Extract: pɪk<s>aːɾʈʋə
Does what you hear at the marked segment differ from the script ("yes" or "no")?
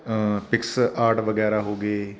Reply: no